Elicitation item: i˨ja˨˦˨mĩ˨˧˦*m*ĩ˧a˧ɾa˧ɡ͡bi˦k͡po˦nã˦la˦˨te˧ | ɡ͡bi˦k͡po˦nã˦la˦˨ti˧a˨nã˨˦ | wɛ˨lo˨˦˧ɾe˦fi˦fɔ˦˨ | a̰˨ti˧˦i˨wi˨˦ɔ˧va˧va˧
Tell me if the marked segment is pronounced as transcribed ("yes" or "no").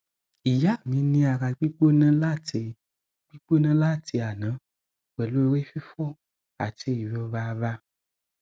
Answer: no